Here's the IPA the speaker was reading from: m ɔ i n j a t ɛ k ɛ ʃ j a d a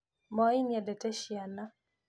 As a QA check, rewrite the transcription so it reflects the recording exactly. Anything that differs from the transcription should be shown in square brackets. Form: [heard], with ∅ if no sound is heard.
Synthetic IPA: m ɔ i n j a [d] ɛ [t] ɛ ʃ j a [n] a